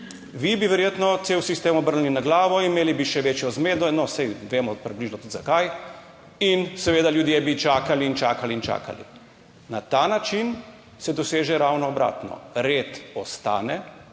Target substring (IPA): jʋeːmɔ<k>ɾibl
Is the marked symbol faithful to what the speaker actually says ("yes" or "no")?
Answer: no